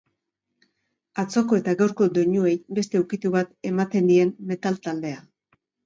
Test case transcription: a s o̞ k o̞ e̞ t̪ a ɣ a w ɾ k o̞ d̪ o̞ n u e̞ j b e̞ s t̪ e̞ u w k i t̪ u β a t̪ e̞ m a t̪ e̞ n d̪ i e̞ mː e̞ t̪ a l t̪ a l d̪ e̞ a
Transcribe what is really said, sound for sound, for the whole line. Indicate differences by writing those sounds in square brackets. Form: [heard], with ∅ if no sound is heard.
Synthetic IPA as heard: a [t͡s] o̞ k o̞ e̞ t̪ a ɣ a w ɾ k o̞ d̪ o̞ [ɲ] u e̞ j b e̞ s t̪ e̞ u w k i t̪ u β a t̪ e̞ m a t̪ e̞ n d̪ i e̞ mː e̞ t̪ a l t̪ a l d̪ e̞ a